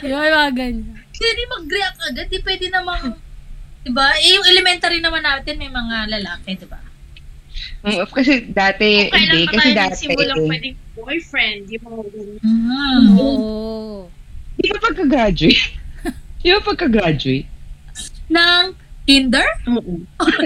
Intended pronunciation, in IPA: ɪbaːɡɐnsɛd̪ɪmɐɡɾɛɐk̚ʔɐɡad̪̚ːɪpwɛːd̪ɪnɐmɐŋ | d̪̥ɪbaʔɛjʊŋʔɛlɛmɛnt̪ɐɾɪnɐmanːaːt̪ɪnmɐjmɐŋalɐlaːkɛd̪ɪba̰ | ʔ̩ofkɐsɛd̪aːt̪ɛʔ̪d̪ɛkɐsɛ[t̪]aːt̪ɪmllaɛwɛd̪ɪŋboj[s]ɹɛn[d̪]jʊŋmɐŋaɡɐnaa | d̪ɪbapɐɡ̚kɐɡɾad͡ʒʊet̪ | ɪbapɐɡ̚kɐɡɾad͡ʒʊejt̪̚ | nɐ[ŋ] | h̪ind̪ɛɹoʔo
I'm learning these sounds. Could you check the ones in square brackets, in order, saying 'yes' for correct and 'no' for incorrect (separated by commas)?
no, no, yes, yes